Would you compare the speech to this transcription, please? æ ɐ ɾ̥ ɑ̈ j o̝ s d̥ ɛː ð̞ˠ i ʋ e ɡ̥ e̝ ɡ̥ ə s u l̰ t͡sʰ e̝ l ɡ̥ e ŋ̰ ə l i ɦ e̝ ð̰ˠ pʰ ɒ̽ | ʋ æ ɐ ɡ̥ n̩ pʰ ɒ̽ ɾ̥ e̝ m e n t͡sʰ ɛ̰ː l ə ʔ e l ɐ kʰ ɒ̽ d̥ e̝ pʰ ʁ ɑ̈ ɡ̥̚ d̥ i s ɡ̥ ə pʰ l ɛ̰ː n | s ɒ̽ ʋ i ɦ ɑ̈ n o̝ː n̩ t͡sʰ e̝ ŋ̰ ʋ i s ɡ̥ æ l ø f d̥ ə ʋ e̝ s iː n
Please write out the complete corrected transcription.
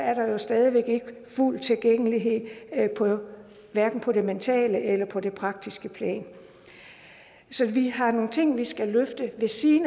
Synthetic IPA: æ ɐ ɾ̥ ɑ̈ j o̝ s d̥ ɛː ð̞ˠ i ʋ e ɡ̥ e̝ ɡ̥ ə f u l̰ t͡sʰ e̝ l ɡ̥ e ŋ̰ ə l i ɦ e̝ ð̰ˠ pʰ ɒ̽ | ʋ æ ɐ ɡ̥ n̩ pʰ ɒ̽ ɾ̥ e̝ m e n t͡sʰ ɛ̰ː l ə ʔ e l ɐ pʰ ɒ̽ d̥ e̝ pʰ ʁ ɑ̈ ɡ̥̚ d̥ i s ɡ̥ ə pʰ l ɛ̰ː n | s ɒ̽ ʋ i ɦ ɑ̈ n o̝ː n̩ t͡sʰ e̝ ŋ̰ ʋ i s ɡ̥ æ l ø f d̥ ə ʋ e̝ s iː n